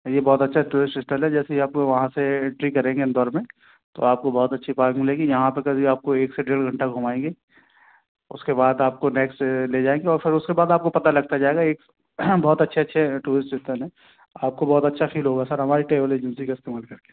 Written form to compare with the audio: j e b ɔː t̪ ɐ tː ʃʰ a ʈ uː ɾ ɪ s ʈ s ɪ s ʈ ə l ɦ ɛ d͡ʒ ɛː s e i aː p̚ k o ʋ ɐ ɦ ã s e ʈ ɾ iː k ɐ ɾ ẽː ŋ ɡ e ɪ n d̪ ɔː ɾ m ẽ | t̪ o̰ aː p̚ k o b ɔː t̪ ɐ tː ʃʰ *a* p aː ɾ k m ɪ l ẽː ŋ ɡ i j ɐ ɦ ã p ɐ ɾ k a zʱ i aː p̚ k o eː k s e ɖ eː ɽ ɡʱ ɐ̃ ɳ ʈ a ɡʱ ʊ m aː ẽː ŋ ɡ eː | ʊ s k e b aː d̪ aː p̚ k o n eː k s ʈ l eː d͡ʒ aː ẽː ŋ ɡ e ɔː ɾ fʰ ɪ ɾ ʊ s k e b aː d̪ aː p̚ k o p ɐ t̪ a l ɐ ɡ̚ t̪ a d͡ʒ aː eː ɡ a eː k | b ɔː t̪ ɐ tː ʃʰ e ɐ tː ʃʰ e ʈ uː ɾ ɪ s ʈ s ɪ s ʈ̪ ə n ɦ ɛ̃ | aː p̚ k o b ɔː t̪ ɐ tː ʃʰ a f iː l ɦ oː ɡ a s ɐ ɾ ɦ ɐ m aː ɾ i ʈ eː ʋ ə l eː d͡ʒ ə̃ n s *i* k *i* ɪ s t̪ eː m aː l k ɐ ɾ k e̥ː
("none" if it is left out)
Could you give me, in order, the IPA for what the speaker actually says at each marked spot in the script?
i, i, a

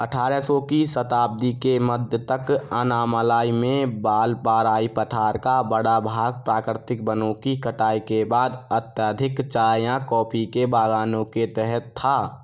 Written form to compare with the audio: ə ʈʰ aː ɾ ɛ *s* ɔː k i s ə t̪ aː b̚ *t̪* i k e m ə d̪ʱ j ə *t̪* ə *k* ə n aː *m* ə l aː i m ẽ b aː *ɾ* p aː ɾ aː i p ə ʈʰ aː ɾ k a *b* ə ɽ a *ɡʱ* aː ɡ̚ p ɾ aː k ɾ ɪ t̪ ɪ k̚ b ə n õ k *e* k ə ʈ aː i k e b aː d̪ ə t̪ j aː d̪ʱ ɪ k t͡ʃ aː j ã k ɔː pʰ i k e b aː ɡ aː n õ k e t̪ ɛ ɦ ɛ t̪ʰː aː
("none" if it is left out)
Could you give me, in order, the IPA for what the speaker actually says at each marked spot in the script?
s, d̪, t̪, k, m, l, b, bʱ, i

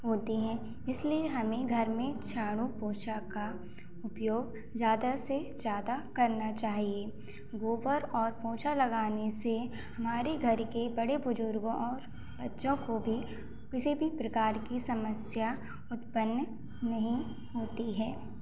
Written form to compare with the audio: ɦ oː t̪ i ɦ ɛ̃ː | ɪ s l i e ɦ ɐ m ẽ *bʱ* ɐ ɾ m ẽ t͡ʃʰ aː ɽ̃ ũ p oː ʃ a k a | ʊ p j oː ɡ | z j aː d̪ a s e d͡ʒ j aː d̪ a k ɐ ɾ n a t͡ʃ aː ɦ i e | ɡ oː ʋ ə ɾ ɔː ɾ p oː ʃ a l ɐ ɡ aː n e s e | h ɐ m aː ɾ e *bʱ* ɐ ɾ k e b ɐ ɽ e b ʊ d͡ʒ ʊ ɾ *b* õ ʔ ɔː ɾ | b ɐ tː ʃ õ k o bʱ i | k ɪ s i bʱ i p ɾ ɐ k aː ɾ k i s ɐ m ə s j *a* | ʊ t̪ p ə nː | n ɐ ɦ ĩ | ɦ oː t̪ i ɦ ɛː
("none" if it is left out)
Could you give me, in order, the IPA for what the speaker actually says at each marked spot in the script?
ɡʱ, ɡʱ, ɡ, a

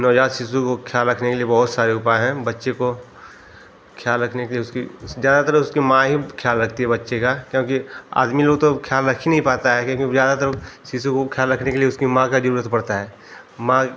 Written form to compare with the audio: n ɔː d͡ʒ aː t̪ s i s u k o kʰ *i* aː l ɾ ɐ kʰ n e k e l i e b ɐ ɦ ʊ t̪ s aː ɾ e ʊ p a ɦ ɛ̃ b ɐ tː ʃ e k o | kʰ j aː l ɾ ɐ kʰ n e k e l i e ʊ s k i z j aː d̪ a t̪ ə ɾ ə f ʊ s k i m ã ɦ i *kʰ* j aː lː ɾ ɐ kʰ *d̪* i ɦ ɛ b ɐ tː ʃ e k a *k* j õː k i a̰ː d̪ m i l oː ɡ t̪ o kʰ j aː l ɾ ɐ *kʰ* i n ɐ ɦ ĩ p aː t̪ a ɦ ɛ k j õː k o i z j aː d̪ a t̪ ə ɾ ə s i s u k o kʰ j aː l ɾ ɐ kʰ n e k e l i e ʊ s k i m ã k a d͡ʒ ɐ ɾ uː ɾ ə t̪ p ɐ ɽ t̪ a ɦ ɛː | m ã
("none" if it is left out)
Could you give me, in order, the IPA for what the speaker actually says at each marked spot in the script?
j, kʰ, t̪, k, kʰ

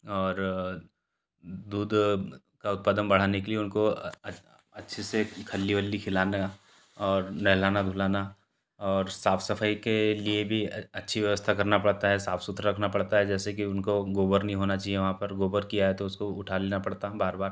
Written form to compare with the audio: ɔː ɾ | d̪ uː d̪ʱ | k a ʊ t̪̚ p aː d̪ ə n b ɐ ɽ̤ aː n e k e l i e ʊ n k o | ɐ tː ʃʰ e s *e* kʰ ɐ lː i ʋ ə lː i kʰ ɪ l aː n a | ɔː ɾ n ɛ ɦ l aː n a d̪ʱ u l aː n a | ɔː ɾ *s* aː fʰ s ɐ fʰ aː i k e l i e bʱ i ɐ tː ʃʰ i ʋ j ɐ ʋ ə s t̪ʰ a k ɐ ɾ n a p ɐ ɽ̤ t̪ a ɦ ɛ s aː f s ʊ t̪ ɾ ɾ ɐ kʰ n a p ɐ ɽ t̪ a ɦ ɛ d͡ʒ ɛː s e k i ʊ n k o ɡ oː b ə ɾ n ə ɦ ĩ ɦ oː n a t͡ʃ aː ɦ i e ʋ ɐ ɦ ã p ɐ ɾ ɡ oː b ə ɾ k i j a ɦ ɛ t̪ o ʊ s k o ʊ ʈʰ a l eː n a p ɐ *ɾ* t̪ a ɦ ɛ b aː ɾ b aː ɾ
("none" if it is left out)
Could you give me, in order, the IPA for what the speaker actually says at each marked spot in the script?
e, s, ɽ

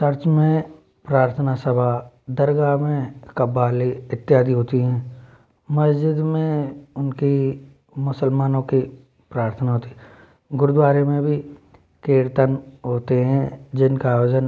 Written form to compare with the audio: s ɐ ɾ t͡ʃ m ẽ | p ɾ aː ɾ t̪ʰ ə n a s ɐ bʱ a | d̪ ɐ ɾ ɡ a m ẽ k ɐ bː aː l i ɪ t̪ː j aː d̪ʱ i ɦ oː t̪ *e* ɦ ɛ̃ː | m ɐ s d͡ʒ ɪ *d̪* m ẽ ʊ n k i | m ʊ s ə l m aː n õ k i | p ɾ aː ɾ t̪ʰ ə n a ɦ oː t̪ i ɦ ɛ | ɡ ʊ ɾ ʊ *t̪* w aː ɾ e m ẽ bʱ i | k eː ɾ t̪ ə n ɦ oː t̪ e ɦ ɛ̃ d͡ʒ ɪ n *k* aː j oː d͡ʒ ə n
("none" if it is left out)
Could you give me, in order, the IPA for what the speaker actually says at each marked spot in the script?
i, d̪, d̪, k

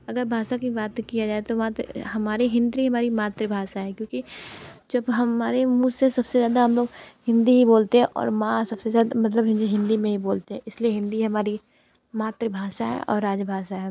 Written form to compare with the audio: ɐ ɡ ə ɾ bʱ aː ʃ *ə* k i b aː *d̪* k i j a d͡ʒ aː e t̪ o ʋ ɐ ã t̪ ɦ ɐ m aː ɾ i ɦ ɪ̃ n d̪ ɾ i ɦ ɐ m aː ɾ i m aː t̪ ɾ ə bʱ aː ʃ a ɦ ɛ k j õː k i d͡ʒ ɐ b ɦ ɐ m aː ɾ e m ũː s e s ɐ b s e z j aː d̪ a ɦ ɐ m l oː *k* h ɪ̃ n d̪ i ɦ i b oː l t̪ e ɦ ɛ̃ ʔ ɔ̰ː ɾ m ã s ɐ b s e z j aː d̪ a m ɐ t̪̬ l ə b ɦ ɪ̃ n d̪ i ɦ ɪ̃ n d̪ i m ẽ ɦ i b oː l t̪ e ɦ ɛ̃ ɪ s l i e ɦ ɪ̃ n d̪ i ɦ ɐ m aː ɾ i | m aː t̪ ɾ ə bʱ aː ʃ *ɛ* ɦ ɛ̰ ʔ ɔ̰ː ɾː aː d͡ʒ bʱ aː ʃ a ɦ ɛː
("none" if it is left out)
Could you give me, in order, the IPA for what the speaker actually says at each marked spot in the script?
a, t̪, ɡ, a

